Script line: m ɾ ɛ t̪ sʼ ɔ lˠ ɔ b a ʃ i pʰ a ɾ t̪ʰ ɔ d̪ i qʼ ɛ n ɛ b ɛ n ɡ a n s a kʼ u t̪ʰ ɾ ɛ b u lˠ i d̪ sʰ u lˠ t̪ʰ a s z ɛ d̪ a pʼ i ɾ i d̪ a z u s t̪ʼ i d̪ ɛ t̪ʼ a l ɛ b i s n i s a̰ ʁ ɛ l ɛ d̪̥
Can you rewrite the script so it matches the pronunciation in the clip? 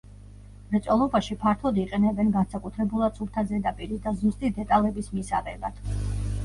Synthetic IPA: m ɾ ɛ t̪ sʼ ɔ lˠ ɔ b a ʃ i pʰ a ɾ t̪ʰ ɔ d̪ i qʼ ɛ n ɛ b ɛ n ɡ a n s a kʼ u t̪ʰ ɾ ɛ b u lˠ a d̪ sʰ u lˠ t̪ʰ a z ɛ d̪ a pʼ i ɾ i d̪ a z u s t̪ʼ i d̪ ɛ t̪ʼ a l ɛ b i s m i s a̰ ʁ ɛ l a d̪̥

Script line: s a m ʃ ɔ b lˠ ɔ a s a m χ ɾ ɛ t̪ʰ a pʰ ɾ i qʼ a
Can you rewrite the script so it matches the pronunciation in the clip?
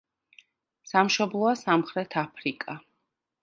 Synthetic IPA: s a m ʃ ɔ b lˠ ɔ a s a m χ ɾ ɛ t̪ʰ a pʰ ɾ i kʼ a

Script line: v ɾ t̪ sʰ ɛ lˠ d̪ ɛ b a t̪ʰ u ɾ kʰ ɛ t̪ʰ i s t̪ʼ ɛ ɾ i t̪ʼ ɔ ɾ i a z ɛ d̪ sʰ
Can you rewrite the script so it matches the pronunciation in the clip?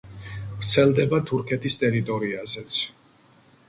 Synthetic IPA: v ɾ t̪ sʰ ɛ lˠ d̪ ɛ b a t̪ʰ u ɾ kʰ ɛ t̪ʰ i s t̪ʼ ɛ ɾ i t̪ʼ ɔ ɾ i a z ɛ t̪ sʰ

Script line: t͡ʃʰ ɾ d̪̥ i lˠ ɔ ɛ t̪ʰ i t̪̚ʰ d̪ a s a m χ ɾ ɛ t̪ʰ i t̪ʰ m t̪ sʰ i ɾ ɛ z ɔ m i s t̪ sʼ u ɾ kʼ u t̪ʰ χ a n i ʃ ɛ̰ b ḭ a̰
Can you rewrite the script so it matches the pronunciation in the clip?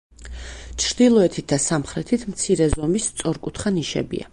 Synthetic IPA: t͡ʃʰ ɾ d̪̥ i lˠ ɔ ɛ t̪ʰ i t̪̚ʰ d̪ a s a m χ ɾ ɛ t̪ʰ i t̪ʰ m t̪ sʰ i ɾ ɛ z ɔ m i s t̪ sʼ ɔ ɾ kʼ u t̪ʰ χ a n i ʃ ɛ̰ b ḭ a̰

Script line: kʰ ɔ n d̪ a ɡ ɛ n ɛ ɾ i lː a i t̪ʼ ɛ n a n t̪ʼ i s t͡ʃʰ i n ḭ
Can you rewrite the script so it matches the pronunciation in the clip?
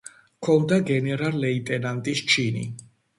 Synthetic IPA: kʰ ɔ n d̪ a ɡ ɛ n ɛ ɾ a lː ɛ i t̪ʼ ɛ n a n t̪ʼ i s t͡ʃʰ i n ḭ

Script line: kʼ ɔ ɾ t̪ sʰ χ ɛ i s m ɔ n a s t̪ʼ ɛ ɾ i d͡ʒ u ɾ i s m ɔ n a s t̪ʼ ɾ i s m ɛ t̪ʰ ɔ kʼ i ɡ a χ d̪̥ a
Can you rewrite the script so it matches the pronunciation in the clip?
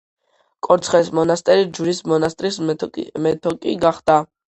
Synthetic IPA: kʼ ɔ ɾ t̪ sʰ χ ɛ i s m ɔ n a s t̪ʼ ɛ ɾ i d͡ʒ u ɾ i s m ɔ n a s t̪ʼ ɾ i s m ɛ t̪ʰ ɔ kʼ i ɡ a χ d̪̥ a

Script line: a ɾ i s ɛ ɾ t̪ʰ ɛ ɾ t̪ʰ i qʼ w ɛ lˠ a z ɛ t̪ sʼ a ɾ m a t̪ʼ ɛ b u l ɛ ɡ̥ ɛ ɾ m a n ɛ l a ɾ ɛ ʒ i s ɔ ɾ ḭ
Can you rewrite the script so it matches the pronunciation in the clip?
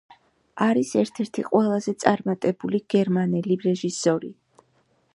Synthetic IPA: a ɾ i s ɛ ɾ t̪ʰ ɛ ɾ t̪ʰ i qʼ w ɛ lˠ a z ɛ t̪ sʼ a ɾ m a t̪ʼ ɛ b u l i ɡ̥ ɛ ɾ m a n ɛ l i ɾ ɛ ʒ i s ɔ ɾ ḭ

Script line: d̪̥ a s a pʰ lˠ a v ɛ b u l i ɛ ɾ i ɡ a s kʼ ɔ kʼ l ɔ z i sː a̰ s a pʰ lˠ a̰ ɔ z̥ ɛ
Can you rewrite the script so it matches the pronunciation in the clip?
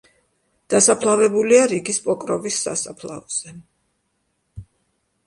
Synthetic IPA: d̪̥ a s a pʰ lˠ a v ɛ b u l i a ɾ i ɡ i s pʼ ɔ kʼ ɾ ɔ v i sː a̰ s a pʰ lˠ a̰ ɔ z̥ ɛ

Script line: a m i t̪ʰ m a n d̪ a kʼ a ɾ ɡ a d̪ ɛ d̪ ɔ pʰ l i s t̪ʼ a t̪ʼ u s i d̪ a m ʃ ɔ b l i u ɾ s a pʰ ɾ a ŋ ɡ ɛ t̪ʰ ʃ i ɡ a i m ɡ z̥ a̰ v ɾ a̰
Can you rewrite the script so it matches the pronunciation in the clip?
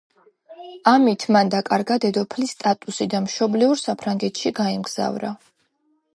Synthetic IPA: a m i t̪ʰ m a n d̪ a kʼ a ɾ ɡ a d̪ ɛ d̪ ɔ pʰ l i s t̪ʼ a t̪ʼ u s i d̪ a m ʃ ɔ b l i u ɾ s a pʰ ɾ a ŋ ɡ ɛ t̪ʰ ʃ i ɡ a i m ɡ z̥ a̰ v ɾ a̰

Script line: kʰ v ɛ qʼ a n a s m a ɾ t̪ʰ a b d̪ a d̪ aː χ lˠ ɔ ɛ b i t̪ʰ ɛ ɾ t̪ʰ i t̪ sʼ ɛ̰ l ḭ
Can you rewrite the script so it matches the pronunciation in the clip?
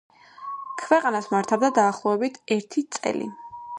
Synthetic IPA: kʰ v ɛ qʼ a n a s m a ɾ t̪ʰ a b d̪ a d̪ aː χ lˠ ɔ ɛ b i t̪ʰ ɛ ɾ t̪ʰ i t̪ sʼ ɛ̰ l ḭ

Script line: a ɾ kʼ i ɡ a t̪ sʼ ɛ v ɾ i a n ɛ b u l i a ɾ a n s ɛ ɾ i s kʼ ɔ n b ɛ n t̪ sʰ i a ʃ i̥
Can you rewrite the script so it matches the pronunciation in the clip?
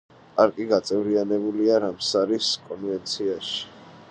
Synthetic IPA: a ɾ kʼ i ɡ a t̪ sʼ ɛ v ɾ i a n ɛ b u l i a ɾ a m s a ɾ i s kʼ ɔ n v ɛ n t̪ sʰ i a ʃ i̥

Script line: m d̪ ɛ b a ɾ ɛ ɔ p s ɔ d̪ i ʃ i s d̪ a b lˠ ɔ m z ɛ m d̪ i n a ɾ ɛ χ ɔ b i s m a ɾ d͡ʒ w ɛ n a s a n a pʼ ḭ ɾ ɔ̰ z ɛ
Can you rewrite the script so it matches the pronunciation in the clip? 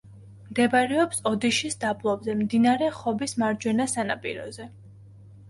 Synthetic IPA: m d̪ ɛ b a ɾ ɛ ɔ p s ɔ d̪ i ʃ i s d̪ a b lˠ ɔ b z ɛ m d̪ i n a ɾ ɛ χ ɔ b i s m a ɾ d͡ʒ w ɛ n a s a n a pʼ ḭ ɾ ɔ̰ z ɛ

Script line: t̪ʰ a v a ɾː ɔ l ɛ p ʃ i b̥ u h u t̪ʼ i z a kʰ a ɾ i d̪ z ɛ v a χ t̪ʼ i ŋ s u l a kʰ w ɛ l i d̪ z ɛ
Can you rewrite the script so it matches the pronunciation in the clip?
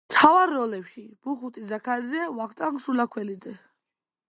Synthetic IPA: t̪ʰ a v a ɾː ɔ l ɛ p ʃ i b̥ u χ u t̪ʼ i z a kʰ a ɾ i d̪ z ɛ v a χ t̪ʼ a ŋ s u l a kʰ w ɛ l i d̪ z ɛ

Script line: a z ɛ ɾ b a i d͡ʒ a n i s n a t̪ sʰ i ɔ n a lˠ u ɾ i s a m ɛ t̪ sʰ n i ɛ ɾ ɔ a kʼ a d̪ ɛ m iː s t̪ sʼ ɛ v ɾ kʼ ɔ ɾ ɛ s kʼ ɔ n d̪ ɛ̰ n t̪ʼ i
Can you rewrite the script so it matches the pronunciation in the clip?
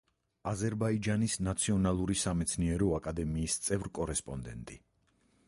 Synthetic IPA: a z ɛ ɾ b a i d͡ʒ a n i s n a t̪ sʰ i ɔ n a lˠ u ɾ i s a m ɛ t̪ sʰ n i ɛ ɾ ɔ a kʼ a d̪ ɛ m iː s t̪ sʼ ɛ v ɾ kʼ ɔ ɾ ɛ s pʼ ɔ n d̪ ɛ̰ n t̪ʼ i

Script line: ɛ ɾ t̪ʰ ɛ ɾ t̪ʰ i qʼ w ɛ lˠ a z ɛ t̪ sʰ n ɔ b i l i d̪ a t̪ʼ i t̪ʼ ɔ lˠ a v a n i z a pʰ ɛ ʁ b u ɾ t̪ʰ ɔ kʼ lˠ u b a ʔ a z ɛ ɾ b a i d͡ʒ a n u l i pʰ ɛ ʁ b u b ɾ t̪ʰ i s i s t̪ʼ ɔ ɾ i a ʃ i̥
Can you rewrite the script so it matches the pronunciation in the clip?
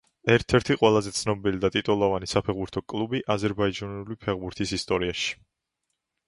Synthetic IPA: ɛ ɾ t̪ʰ ɛ ɾ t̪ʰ i qʼ w ɛ lˠ a z ɛ t̪ sʰ n ɔ b i l i d̪ a t̪ʼ i t̪ʼ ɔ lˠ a v a n i s a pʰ ɛ ʁ b u ɾ t̪ʰ ɔ kʼ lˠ u b i ʔ a z ɛ ɾ b a i d͡ʒ a n u l i pʰ ɛ ʁ b u ɾ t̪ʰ i s i s t̪ʼ ɔ ɾ i a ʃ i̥

